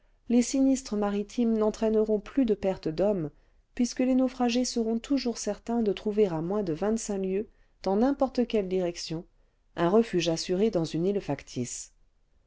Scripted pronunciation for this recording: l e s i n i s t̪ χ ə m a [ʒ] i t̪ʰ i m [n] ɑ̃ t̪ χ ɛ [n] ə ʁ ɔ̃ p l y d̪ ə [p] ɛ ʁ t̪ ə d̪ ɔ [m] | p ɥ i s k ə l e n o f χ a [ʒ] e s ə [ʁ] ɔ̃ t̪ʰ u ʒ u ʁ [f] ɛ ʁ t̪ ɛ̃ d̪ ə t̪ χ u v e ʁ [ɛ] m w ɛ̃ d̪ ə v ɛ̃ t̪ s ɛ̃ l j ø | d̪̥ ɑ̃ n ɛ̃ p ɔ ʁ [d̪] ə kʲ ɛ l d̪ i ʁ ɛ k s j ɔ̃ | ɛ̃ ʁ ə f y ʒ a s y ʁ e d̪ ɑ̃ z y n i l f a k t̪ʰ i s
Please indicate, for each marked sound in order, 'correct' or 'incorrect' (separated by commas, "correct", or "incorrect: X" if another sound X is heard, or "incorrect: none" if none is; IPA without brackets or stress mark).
incorrect: ʁ, correct, correct, correct, correct, correct, correct, incorrect: s, incorrect: a, incorrect: t̪